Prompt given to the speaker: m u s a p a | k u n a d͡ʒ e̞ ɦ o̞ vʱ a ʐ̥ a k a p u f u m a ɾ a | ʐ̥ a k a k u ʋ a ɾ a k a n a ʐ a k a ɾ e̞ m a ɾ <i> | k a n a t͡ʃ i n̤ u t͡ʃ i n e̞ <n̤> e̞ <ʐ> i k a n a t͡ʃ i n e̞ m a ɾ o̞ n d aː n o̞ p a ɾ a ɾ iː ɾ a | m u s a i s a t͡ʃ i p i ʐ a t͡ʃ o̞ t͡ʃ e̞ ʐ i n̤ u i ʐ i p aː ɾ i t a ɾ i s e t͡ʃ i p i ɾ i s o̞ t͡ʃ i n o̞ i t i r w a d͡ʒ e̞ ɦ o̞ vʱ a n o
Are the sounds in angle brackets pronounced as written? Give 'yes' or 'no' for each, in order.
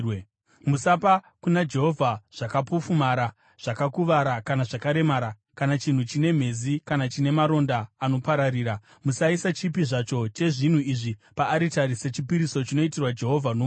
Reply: no, no, no

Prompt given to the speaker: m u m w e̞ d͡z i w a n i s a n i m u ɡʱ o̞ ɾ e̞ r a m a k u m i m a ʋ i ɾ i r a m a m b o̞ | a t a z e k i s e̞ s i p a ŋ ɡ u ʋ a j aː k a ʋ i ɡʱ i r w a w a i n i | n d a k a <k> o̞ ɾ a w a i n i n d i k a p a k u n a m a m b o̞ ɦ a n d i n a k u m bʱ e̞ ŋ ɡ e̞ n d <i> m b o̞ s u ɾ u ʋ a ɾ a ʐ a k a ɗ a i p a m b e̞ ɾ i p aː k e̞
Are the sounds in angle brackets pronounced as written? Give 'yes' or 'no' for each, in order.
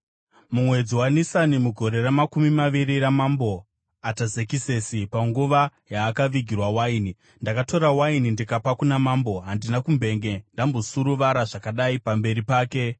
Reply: no, no

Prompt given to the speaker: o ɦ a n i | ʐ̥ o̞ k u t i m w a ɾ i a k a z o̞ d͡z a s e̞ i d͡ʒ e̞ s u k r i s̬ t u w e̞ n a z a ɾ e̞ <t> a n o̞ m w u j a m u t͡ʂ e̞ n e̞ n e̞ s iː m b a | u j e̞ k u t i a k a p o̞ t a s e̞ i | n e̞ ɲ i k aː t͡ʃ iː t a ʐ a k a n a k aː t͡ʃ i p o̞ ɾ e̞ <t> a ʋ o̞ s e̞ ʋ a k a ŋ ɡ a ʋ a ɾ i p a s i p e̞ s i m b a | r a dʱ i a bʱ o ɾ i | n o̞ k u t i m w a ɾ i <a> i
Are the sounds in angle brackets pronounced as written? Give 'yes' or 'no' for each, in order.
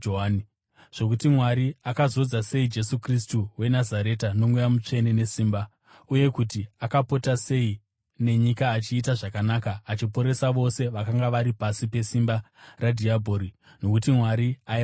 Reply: yes, no, yes

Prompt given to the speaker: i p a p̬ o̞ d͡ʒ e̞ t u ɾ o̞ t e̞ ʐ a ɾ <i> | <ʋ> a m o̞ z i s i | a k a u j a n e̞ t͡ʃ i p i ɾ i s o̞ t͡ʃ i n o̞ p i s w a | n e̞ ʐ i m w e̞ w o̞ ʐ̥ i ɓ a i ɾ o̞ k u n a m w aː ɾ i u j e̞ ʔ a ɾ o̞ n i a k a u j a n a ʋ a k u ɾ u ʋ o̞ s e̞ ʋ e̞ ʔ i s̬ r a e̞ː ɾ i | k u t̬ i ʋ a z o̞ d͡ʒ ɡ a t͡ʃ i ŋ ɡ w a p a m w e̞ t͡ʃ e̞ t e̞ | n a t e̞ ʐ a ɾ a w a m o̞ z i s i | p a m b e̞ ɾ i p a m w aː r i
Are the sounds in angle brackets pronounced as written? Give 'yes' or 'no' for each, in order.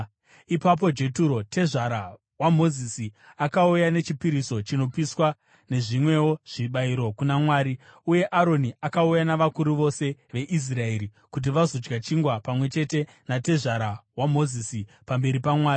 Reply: no, no

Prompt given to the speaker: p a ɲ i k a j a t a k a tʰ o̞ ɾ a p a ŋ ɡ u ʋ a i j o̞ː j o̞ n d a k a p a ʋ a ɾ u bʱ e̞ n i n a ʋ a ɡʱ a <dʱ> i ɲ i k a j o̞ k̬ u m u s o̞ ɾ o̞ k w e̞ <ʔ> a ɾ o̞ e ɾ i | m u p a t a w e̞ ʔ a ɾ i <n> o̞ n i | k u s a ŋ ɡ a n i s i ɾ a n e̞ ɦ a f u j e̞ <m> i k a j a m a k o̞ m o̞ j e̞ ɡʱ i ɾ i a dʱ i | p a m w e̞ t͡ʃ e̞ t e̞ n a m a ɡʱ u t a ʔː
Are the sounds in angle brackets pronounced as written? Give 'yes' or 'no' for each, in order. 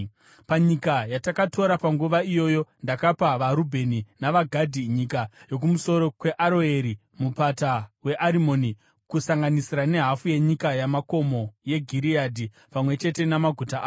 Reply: yes, yes, no, no

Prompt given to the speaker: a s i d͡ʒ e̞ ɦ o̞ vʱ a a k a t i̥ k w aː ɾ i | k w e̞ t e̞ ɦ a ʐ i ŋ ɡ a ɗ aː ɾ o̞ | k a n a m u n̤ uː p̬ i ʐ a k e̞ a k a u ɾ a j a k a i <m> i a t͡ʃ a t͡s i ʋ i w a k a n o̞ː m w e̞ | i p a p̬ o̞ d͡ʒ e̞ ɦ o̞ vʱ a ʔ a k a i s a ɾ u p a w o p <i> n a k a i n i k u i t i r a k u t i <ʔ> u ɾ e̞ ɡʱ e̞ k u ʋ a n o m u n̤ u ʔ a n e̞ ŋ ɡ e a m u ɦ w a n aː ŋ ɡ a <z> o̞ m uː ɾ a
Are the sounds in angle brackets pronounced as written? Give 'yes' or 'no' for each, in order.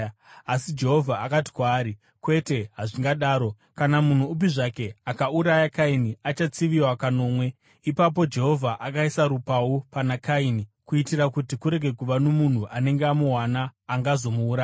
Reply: no, no, no, yes

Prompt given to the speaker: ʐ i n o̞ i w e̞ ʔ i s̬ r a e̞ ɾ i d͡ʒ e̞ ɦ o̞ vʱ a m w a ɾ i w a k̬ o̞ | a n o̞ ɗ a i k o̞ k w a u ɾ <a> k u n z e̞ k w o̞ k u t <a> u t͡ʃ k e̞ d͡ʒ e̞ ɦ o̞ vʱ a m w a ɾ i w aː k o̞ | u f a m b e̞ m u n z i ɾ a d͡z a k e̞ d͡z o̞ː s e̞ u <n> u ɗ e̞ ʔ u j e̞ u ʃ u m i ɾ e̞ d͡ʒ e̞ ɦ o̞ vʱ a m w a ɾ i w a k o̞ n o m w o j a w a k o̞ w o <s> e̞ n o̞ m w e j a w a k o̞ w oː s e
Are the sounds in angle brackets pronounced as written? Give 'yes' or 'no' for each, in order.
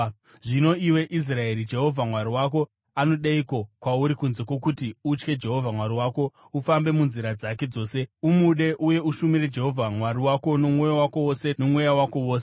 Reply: no, no, no, yes

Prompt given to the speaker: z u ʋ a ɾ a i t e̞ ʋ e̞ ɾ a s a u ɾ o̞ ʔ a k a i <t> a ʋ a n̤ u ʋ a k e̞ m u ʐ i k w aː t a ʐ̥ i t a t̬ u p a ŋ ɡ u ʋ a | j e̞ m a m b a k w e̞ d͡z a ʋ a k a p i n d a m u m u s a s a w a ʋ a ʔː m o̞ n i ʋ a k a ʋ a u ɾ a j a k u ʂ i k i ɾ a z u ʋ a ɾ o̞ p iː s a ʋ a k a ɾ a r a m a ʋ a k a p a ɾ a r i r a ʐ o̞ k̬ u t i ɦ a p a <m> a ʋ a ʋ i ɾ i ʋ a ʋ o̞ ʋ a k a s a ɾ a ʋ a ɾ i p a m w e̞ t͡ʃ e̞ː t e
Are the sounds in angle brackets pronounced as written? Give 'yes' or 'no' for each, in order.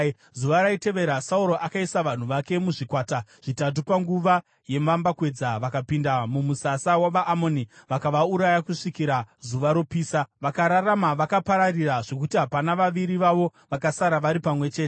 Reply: no, no

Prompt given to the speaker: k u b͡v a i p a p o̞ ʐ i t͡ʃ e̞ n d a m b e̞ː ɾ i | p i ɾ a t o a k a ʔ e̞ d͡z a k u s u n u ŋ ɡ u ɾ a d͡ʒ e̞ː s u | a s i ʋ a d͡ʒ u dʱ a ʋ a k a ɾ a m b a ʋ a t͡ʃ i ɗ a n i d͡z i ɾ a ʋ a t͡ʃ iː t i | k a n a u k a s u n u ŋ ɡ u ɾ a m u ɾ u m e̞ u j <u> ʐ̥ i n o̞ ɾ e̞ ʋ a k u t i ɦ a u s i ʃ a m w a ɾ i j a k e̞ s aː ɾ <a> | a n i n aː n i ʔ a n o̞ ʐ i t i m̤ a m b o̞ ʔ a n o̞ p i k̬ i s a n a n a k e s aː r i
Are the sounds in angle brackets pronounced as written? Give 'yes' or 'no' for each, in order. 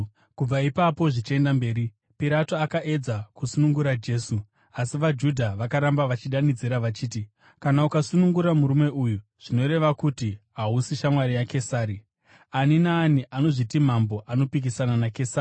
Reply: yes, no

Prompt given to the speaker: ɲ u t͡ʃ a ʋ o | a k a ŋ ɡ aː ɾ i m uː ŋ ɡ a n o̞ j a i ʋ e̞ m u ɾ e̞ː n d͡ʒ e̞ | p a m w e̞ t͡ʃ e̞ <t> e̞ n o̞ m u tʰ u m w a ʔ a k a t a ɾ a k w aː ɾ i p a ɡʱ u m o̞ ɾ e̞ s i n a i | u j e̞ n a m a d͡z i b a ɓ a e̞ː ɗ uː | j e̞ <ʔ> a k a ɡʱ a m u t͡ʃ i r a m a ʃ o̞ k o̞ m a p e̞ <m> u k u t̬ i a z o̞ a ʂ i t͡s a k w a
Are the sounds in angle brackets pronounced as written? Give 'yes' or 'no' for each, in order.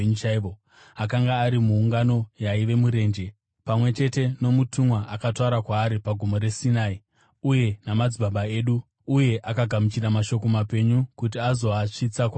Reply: yes, yes, no

